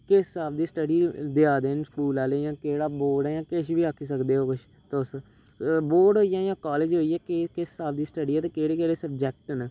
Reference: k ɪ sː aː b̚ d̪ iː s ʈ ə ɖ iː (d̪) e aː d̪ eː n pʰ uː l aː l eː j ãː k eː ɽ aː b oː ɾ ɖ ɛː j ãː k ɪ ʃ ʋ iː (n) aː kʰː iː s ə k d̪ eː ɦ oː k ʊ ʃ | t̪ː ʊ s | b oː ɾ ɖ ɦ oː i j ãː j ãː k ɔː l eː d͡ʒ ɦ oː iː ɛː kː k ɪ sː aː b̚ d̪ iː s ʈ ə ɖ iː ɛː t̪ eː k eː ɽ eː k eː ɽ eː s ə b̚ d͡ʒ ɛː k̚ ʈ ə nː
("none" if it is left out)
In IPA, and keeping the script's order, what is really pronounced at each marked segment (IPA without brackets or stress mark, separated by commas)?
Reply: d̪, none